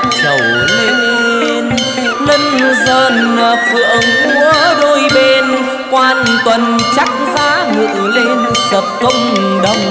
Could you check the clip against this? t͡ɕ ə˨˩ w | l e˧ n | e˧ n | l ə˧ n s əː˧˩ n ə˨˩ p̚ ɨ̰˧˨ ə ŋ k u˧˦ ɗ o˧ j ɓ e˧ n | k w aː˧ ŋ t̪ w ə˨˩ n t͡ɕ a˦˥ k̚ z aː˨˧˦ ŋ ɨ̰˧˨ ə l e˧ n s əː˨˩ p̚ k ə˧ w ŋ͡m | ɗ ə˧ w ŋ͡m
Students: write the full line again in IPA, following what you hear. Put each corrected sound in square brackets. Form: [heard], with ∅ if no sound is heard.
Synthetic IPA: t͡ɕ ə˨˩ w | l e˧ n | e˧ n | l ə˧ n [z] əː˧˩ n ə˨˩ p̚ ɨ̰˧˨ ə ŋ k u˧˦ ɗ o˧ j ɓ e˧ n | k w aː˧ [n] t̪ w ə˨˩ n t͡ɕ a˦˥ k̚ z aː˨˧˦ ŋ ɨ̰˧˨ ə l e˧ n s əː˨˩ p̚ k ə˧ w ŋ͡m | ɗ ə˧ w ŋ͡m